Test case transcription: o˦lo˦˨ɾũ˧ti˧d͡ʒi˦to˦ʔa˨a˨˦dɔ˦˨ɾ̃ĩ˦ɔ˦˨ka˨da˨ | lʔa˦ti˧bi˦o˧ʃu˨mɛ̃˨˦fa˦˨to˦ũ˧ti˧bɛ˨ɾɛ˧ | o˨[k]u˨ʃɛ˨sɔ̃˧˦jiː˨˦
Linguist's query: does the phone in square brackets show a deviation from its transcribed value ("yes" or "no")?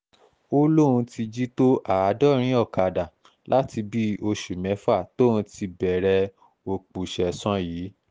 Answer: yes